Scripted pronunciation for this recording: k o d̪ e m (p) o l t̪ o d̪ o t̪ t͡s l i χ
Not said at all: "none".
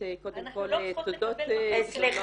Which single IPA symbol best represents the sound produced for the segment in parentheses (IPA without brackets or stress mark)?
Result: k